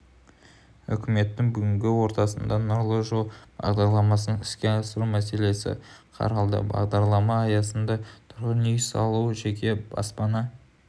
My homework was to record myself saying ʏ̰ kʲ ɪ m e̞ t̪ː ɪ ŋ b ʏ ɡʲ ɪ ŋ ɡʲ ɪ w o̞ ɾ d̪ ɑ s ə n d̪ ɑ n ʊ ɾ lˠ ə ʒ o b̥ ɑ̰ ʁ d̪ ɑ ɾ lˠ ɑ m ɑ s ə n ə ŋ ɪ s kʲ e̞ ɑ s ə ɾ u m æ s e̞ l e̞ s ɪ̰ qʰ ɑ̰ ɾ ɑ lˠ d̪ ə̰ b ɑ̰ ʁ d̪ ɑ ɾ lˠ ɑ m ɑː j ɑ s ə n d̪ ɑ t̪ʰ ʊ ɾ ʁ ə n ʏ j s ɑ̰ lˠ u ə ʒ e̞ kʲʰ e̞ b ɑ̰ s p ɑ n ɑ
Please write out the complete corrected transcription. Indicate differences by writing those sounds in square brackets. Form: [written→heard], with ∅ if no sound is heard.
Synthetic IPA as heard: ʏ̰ kʲ ɪ m e̞ t̪ː ɪ ŋ b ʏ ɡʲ ɪ ŋ ɡʲ ɪ w o̞ ɾ [d̪→t̪] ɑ s ə n d̪ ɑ n ʊ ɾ lˠ ə ʒ o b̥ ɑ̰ ʁ d̪ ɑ ɾ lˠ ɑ m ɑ s ə n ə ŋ ɪ s kʲ e̞ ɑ s ə ɾ u m æ s e̞ l e̞ s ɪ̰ qʰ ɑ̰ ɾ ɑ lˠ d̪ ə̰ b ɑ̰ ʁ d̪ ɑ ɾ lˠ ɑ m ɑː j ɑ s ə n d̪ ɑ t̪ʰ ʊ ɾ ʁ ə n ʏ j s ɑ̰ lˠ u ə ʒ e̞ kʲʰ e̞ b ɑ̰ s p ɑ n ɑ